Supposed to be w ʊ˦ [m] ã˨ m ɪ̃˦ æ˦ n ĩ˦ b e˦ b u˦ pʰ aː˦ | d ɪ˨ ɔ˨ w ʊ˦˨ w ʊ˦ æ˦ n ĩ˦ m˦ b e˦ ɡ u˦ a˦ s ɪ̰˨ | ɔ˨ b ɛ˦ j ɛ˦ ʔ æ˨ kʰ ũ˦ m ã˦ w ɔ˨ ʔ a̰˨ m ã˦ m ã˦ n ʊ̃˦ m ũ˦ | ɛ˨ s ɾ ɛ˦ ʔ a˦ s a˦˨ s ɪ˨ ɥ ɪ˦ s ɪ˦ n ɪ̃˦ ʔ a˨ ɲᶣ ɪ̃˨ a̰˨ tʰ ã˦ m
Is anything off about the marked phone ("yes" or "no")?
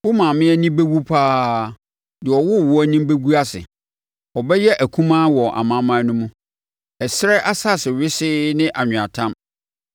no